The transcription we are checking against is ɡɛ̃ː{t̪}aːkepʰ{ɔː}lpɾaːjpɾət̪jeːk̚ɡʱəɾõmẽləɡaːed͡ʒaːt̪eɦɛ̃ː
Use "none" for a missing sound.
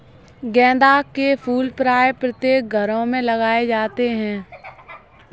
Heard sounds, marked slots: d̪, uː

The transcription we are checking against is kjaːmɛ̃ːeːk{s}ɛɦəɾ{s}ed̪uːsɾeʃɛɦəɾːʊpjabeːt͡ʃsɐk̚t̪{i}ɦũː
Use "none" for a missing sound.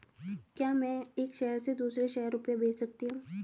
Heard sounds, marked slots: ʃ, s, i

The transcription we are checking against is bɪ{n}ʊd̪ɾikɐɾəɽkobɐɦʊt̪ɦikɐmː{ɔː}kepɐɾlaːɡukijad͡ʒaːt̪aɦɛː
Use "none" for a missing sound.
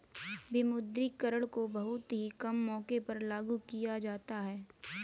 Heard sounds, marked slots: m, ɔː

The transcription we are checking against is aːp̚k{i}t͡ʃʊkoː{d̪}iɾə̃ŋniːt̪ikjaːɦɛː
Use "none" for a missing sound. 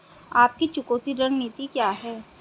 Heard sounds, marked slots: i, t̪

